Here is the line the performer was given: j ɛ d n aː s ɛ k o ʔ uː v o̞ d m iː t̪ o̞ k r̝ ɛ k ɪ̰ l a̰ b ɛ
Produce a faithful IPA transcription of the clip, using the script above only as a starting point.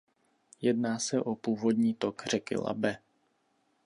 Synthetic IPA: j ɛ d n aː s ɛ ʔ o p uː v o̞ d ɲ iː t̪ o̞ k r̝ ɛ k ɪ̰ l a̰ b ɛ